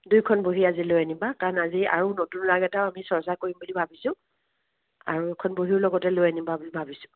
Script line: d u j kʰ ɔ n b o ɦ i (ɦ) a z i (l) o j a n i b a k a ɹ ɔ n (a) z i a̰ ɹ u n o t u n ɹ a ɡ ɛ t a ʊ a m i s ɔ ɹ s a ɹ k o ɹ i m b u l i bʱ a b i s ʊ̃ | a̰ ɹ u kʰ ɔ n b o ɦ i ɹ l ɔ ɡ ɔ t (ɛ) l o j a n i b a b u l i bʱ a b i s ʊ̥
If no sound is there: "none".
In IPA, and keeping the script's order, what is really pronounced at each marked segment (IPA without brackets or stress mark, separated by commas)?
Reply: none, l, a, ɛ